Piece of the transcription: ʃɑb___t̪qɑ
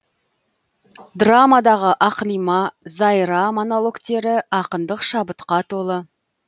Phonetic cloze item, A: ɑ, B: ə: B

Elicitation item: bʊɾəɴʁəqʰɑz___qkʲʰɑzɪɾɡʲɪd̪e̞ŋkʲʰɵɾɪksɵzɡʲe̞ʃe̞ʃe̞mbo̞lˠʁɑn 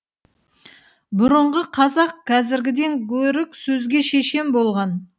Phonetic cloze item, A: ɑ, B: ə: A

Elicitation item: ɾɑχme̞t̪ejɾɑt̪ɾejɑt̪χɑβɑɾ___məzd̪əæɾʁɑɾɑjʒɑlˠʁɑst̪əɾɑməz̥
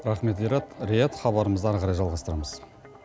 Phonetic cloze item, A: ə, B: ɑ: A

